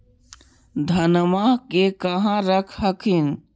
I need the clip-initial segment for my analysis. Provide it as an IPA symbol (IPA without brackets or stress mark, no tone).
d̪ʱ